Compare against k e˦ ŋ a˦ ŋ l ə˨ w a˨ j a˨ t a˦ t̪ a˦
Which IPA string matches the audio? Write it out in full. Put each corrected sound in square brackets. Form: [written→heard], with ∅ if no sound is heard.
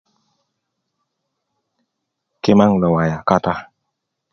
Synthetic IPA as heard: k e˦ [ŋ→m] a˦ ŋ l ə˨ w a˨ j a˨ [t→k] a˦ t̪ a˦